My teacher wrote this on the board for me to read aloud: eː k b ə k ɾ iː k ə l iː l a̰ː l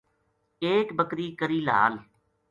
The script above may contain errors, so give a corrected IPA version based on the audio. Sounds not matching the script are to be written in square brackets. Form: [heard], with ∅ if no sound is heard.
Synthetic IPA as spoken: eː k b ə k ɾ iː k ə [ɾ] iː l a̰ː l